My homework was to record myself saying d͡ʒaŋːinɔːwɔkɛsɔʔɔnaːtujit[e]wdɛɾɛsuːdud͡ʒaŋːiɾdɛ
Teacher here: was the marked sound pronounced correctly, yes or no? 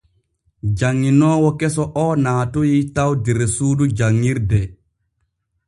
no